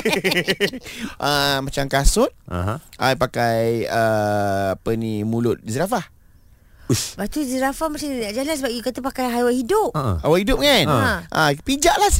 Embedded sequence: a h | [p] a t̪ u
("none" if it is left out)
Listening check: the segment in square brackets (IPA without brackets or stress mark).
b